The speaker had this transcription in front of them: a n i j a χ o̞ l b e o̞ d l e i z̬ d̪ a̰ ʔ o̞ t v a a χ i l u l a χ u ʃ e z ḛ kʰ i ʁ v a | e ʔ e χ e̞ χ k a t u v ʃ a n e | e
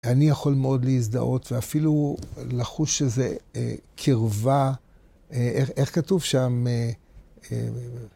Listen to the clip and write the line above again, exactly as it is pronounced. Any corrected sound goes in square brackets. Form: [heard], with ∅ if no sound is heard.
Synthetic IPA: a n i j a χ o̞ l [m] e o̞ d l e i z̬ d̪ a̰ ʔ o̞ t v [e] a [f] i l u l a χ u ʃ e z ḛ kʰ i ʁ v a | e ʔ e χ e̞ χ k a t u v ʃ a [m] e | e